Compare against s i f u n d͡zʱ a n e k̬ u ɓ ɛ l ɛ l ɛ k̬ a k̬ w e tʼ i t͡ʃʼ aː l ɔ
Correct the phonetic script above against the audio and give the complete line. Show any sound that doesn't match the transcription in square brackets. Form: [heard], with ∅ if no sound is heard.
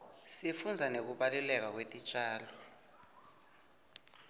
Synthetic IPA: s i f u n d͡zʱ a n e k̬ u ɓ [a] l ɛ l ɛ k̬ a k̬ w e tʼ i t͡ʃʼ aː l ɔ